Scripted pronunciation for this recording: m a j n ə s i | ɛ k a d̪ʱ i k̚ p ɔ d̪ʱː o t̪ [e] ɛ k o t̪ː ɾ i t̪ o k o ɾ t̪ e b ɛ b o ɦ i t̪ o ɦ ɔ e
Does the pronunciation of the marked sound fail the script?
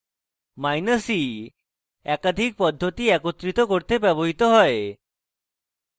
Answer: yes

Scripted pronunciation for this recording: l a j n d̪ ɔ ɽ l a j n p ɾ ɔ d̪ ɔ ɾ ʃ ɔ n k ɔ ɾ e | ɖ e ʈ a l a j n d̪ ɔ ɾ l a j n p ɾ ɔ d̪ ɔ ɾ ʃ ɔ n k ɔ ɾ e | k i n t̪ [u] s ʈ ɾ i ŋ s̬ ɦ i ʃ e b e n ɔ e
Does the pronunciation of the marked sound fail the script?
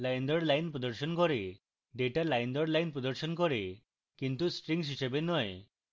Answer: no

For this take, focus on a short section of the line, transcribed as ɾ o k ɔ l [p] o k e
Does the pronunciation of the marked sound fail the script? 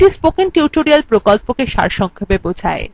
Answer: no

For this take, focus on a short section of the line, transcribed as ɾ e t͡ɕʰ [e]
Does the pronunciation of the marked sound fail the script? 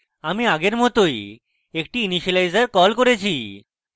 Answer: yes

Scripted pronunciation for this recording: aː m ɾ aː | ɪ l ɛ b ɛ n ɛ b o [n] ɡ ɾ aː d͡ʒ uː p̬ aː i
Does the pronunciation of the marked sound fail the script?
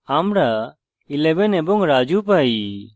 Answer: yes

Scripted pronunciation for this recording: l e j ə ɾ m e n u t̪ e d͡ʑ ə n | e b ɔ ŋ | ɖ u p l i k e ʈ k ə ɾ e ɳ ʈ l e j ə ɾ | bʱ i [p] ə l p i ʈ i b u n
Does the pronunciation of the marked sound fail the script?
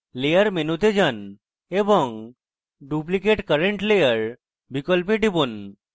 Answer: yes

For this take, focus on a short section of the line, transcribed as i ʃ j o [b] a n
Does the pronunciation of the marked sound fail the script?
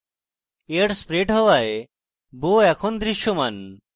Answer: yes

